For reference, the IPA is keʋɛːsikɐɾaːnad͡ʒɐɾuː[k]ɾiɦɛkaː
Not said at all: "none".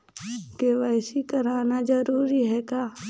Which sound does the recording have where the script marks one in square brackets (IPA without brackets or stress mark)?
none